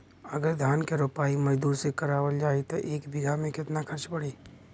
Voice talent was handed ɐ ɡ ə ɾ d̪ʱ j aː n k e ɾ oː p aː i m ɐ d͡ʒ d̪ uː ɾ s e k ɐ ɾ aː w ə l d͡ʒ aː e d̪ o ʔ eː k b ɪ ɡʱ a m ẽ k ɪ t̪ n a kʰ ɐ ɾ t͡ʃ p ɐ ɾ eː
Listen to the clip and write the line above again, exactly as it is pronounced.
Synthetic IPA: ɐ ɡ ə ɾ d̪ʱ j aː n k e ɾ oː p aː i m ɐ d͡ʒ d̪ uː ɾ s e k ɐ ɾ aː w ə l d͡ʒ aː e t̪ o ʔ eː k b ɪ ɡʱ a m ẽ k ɪ t̪ n a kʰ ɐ ɾ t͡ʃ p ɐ ɽ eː